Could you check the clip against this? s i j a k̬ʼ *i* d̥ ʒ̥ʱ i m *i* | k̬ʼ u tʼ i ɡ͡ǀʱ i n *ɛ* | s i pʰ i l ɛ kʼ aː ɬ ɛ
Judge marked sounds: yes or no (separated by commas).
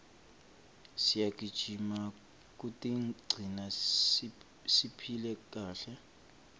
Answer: yes, no, no